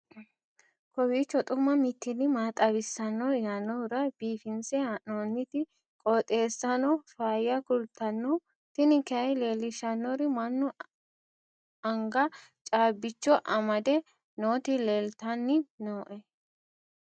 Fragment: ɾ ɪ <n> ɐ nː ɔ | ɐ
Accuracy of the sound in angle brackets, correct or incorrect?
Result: incorrect: m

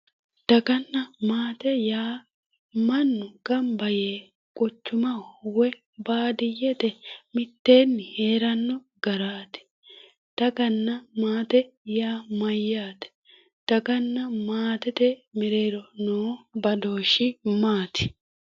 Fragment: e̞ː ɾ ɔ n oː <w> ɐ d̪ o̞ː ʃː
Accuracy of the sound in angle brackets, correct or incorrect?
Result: incorrect: b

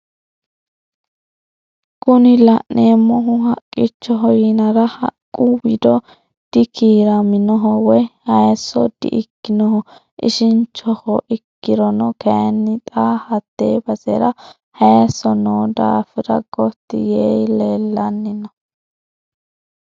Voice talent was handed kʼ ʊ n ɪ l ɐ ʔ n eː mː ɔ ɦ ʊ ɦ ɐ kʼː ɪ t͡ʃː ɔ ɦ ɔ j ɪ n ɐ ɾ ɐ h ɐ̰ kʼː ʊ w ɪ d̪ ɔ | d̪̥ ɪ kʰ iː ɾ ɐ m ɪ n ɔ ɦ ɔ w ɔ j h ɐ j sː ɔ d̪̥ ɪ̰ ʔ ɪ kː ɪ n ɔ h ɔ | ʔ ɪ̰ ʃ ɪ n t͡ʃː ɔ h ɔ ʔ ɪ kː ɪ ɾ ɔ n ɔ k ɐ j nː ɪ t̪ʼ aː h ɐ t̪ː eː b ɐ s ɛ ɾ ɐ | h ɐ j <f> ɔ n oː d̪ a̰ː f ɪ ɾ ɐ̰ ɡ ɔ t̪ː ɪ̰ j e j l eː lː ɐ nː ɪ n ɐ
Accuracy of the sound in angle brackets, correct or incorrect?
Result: incorrect: s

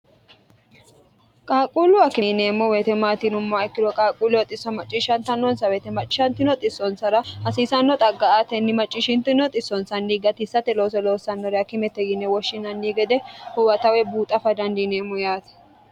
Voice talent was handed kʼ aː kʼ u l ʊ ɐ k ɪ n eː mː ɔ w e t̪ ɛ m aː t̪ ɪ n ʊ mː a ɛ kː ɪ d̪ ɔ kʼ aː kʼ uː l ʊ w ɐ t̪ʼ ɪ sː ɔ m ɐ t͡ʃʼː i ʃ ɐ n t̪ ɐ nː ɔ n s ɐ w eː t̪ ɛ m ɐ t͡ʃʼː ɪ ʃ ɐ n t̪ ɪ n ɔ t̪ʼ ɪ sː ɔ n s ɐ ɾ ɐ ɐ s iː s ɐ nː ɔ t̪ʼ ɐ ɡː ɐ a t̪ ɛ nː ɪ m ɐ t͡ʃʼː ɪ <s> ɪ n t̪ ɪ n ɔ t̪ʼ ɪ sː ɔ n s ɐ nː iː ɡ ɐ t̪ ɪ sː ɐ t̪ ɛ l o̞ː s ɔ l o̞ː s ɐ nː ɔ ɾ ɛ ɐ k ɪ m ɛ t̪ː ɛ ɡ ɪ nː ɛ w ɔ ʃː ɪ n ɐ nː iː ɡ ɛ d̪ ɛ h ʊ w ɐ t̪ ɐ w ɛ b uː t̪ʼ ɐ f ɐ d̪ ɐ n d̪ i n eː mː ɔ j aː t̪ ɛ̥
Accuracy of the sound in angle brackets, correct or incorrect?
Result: incorrect: ʃ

